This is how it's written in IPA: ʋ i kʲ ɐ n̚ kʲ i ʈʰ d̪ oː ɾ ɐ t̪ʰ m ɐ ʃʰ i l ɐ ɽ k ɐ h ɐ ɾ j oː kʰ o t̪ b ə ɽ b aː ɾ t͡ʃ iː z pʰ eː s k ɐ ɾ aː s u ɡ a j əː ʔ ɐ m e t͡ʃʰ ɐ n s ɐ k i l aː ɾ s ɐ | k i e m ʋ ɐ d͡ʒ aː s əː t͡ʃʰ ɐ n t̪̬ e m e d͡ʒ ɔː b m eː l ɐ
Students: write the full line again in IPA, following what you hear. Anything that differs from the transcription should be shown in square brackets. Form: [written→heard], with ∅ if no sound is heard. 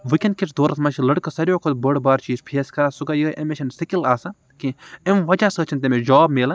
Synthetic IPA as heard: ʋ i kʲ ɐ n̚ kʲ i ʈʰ d̪ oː ɾ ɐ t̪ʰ m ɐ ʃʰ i l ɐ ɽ k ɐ [h→s] ɐ ɾ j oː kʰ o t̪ b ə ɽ b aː ɾ t͡ʃ iː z pʰ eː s k ɐ ɾ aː s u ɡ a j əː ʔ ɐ m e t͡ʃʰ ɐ n s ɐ k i l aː [ɾ→∅] s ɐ | k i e m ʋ ɐ d͡ʒ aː s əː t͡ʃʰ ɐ n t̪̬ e m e d͡ʒ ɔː b m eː l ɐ

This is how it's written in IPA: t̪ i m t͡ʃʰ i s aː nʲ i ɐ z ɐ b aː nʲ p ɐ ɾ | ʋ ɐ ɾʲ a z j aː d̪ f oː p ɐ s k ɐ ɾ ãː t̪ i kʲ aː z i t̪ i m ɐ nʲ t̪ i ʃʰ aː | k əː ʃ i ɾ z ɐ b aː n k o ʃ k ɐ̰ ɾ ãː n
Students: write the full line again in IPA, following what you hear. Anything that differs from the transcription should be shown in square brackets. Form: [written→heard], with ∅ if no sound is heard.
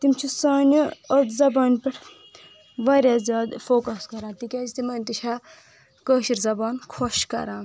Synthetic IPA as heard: t̪ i m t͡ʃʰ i s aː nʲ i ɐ z ɐ b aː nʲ p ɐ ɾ | ʋ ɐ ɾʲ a z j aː d̪ f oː [p→k] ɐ s k ɐ ɾ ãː t̪ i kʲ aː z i t̪ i m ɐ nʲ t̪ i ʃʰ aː | k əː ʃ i ɾ z ɐ b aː n [k→kʰ] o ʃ k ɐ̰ ɾ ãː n

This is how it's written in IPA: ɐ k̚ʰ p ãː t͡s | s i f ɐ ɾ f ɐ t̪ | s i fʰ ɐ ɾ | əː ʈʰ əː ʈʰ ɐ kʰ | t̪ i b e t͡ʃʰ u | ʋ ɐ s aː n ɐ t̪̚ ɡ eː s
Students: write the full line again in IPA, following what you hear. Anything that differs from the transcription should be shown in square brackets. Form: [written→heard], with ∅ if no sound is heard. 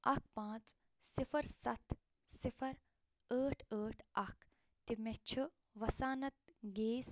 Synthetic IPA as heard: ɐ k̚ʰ p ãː t͡s | s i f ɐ ɾ [f→s] ɐ t̪ | s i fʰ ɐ ɾ | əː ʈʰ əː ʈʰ ɐ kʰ | t̪ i [b→m] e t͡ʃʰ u | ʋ ɐ s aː n ɐ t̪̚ ɡ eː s

